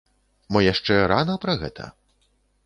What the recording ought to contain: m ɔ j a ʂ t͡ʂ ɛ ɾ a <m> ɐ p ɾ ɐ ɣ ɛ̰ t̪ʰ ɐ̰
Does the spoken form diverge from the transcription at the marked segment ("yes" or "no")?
yes